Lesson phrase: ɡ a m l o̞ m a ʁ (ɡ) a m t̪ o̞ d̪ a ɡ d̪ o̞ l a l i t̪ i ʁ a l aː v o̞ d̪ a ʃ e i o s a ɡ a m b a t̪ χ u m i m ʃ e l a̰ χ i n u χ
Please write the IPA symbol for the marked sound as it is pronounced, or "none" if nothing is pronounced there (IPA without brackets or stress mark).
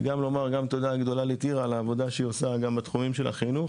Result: ɡ